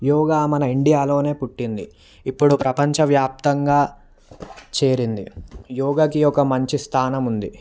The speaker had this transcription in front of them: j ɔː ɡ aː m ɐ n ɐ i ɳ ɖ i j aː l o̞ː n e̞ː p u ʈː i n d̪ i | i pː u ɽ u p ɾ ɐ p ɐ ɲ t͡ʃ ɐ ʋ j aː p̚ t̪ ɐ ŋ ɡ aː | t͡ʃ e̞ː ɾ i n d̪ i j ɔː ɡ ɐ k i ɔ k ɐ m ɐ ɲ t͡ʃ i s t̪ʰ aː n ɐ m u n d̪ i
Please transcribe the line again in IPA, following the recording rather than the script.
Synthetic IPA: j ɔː ɡ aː m ɐ n ɐ i ɳ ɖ i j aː l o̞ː n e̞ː p u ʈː i n d̪ i | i pː u ɽ u p ɾ ɐ p ɐ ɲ t͡ʃ ɐ ʋ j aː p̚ t̪ ɐ ŋ ɡ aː | t͡ʃ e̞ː ɾ i n d̪ i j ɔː ɡ ɐ k i ɔ k ɐ m ɐ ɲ t͡ʃ i s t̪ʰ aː n ɐ m u n d̪ i